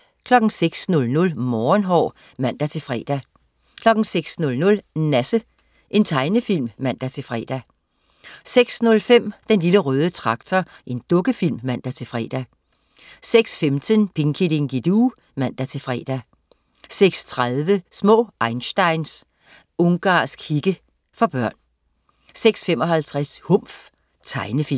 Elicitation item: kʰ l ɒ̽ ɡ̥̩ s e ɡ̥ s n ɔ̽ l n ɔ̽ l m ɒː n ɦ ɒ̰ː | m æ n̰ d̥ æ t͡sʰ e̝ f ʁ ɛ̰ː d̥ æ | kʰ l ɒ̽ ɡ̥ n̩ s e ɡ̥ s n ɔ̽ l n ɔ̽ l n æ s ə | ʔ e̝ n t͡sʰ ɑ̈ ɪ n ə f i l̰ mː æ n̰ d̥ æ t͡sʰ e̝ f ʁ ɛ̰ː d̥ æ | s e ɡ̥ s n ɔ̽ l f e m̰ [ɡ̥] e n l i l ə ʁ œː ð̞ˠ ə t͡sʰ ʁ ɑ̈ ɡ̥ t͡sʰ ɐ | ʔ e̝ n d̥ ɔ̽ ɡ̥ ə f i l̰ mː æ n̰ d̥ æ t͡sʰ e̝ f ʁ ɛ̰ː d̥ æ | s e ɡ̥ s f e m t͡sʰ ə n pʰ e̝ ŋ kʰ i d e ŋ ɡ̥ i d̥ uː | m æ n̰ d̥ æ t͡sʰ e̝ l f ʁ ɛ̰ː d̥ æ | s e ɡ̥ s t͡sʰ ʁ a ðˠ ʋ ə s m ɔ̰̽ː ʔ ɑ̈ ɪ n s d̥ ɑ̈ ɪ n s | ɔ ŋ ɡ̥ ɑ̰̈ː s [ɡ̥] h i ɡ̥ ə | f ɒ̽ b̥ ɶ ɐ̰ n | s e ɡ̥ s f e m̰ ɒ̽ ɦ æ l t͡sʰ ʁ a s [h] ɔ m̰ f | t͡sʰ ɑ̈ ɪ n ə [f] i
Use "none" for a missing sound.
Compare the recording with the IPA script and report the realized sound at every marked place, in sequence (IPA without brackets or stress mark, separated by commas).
d̥, ɡ̥, h, f